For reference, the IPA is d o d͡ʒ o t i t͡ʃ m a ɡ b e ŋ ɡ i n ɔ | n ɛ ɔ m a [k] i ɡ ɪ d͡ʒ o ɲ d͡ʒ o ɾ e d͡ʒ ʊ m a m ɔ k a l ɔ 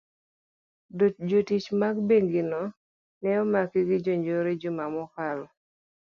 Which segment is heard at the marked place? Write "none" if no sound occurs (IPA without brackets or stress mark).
k